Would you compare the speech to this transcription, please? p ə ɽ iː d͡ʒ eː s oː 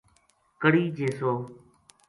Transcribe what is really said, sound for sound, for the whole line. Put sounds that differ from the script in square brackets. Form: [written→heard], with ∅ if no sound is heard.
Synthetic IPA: [p→k] ə ɽ iː d͡ʒ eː s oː